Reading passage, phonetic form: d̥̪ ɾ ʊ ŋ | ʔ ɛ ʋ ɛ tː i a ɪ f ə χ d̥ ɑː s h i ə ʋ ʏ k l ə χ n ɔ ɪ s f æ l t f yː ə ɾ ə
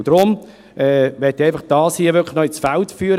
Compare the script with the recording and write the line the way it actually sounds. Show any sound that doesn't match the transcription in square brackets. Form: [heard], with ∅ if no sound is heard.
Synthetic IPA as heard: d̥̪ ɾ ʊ [m] | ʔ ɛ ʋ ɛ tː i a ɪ f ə χ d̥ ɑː s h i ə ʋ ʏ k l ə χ n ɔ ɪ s f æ l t f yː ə ɾ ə